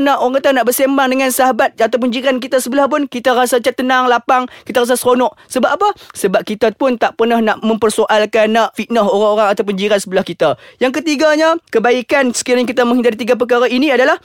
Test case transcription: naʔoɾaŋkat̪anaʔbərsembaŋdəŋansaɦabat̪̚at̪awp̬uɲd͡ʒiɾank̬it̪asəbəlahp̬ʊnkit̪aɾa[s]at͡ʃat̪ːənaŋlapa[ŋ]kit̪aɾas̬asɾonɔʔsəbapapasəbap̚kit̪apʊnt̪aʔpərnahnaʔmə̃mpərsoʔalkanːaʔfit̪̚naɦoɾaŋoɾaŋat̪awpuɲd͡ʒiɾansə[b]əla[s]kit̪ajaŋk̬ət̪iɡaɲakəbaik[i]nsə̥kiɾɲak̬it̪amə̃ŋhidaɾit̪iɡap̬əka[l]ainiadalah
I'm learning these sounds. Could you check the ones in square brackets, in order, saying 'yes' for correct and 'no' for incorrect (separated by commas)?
yes, yes, yes, no, no, no